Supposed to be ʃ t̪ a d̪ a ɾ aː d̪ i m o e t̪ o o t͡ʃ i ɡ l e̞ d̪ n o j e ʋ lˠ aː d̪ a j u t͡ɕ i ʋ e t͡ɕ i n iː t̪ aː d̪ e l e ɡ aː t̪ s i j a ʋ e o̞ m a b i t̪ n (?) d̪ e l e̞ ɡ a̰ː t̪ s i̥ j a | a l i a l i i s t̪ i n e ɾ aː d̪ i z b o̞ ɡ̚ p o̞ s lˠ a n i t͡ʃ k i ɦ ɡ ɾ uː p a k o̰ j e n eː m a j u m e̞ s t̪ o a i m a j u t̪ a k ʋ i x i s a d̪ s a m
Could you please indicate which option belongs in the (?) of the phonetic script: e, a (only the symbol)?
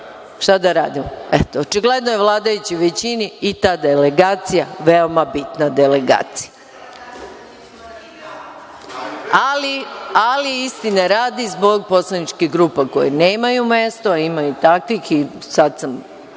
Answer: a